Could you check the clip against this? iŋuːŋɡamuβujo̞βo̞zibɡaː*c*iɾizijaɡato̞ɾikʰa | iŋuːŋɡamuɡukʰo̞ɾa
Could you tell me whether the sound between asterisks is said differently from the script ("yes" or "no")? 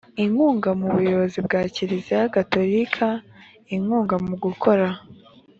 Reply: no